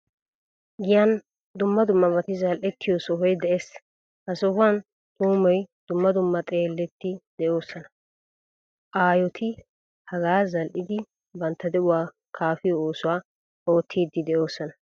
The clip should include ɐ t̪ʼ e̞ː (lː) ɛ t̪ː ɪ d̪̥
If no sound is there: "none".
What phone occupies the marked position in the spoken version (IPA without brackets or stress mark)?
lː